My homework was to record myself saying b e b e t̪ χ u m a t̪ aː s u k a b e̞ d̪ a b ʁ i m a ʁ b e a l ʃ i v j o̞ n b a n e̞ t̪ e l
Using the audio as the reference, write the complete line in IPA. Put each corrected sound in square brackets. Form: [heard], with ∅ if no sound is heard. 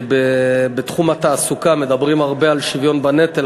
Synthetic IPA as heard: b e b e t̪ χ u m a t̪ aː s u k a [m] e̞ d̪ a b ʁ i m a ʁ b e a l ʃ i v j o̞ n b a n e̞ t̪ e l